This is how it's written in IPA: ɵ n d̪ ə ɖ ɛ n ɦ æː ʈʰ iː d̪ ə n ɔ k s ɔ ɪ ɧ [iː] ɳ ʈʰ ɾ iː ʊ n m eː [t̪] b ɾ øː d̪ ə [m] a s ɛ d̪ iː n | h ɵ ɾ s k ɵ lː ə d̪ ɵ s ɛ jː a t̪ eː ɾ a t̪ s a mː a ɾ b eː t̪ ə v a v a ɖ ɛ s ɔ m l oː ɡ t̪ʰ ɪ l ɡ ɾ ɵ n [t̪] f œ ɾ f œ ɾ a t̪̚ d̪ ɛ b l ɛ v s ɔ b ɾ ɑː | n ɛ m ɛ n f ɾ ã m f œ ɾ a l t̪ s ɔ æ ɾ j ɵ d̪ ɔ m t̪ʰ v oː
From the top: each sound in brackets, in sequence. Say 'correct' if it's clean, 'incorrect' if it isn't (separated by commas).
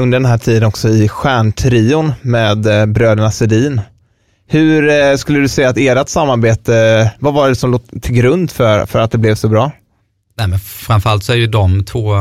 incorrect, incorrect, incorrect, incorrect